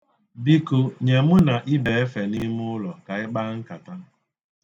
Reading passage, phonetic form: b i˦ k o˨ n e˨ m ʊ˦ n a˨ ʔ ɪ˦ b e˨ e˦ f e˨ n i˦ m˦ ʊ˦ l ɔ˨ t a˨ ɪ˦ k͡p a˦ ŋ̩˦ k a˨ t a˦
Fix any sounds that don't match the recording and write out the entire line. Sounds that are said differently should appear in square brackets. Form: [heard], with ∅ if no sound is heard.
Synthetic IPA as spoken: b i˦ k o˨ [ɲ] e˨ m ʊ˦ n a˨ ʔ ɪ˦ b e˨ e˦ f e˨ n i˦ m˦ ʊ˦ l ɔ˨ [k] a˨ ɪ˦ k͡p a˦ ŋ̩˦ k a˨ t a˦